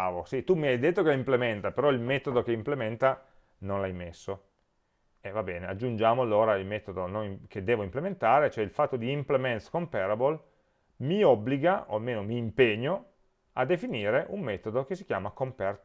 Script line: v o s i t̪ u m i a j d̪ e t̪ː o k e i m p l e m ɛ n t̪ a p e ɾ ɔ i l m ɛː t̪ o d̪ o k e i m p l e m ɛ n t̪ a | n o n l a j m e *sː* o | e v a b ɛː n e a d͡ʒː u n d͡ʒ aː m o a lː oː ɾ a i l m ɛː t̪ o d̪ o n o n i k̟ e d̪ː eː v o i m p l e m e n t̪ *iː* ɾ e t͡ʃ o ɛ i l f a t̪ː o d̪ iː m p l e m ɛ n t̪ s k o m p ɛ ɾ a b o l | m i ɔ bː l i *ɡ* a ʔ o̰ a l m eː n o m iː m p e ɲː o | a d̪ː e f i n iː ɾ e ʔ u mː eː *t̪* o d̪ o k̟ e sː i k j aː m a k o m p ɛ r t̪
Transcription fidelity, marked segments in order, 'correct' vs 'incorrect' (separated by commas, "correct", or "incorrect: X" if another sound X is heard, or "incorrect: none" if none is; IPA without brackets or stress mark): correct, incorrect: aː, correct, correct